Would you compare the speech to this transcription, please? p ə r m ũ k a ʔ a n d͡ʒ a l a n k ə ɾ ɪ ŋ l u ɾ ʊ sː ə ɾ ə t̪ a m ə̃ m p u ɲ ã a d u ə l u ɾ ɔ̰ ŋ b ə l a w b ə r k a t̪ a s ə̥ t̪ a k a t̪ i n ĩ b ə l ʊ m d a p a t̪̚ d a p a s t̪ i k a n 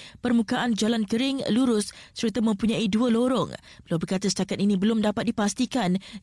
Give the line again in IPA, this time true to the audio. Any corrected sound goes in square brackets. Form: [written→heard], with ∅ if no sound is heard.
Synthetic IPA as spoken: p ə r m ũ k a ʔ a n d͡ʒ a l a n k ə ɾ ɪ ŋ l u ɾ ʊ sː ə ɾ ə t̪ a m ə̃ m p u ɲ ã [a→i] d u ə l [u→o] ɾ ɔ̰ ŋ b ə l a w b ə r k a t̪ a s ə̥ t̪ a k a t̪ i n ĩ b ə l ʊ m d a p a t̪̚ d [a→i] p a s t̪ i k a n